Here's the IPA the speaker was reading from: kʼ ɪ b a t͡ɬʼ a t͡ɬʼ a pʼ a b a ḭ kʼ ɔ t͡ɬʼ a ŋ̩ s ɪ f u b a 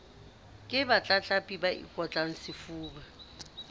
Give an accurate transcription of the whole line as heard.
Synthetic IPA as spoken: kʼ ɪ b a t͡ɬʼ a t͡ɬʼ a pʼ i b a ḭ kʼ ɔ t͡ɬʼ a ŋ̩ s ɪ f uː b a